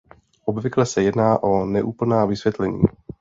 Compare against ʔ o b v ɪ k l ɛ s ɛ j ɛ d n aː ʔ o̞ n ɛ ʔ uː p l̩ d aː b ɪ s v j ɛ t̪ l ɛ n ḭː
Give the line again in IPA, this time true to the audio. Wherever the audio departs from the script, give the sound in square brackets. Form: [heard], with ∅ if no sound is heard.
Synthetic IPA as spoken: ʔ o b v ɪ k l ɛ s ɛ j ɛ d n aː ʔ o̞ n ɛ ʔ uː p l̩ [n] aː [v] ɪ s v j ɛ t̪ l ɛ [ɲ] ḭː